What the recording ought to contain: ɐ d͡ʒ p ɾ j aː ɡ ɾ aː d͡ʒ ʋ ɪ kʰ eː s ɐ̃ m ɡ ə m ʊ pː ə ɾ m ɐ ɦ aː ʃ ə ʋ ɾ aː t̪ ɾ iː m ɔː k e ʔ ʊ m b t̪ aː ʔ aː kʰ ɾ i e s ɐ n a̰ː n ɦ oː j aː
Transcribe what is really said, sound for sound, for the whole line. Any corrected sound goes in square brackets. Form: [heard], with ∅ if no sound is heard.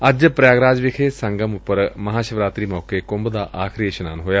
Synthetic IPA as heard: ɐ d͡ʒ p ɾ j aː ɡ ɾ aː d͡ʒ ʋ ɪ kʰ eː s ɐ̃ [ŋ] ɡ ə m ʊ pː ə ɾ m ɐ ɦ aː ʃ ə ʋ ɾ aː t̪ ɾ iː m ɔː k e [k] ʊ m b [d̪] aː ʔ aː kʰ ɾ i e [ʃ] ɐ n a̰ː n ɦ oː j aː